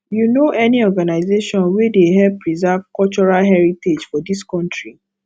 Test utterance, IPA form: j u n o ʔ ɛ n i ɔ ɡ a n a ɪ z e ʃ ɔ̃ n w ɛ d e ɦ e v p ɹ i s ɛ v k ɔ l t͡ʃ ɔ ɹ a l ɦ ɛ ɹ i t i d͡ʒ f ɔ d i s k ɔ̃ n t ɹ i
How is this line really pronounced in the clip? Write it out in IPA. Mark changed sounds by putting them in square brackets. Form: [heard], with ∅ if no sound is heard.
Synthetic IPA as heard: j u n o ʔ ɛ n i ɔ ɡ a n a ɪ z e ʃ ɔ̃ n w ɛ d e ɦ [ɛ] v p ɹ i [z] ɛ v k ɔ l t͡ʃ ɔ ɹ a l ɦ ɛ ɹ i t [e] d͡ʒ f ɔ d i s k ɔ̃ n t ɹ i